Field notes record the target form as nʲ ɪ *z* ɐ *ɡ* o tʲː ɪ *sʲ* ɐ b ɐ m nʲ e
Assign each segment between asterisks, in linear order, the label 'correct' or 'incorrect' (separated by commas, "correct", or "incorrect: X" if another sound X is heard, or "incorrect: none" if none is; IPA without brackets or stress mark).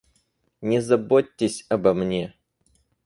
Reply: correct, incorrect: b, correct